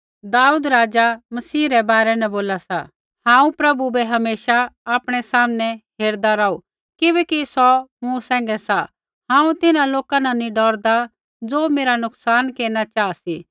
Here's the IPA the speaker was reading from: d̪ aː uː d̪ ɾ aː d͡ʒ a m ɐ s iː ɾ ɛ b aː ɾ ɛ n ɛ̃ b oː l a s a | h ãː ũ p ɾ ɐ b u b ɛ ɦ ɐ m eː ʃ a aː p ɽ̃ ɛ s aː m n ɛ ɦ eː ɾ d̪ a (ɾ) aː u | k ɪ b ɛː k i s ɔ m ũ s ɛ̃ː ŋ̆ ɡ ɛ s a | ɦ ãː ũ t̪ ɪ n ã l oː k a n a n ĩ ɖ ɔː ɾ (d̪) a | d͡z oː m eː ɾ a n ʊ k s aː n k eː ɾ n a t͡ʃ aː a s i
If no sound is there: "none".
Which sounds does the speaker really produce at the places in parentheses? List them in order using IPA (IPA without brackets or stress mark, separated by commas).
ɾ, d̪